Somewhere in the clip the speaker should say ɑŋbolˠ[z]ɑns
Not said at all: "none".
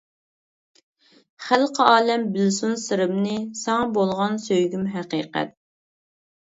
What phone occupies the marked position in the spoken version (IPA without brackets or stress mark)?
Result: ʁ